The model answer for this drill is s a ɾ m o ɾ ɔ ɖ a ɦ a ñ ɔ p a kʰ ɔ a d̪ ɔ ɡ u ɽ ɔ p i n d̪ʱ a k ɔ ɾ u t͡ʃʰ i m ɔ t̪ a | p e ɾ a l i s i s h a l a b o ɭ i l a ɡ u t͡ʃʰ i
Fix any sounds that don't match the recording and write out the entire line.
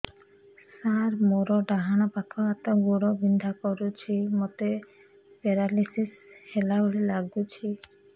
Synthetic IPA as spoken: s a ɾ m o ɾ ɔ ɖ a ɦ a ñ ɔ p a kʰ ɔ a t̪ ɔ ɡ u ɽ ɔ b i n d̪ʱ a k ɔ ɾ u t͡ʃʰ i m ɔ t̪ e | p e ɾ a l i s i s h e l a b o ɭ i l a ɡ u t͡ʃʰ i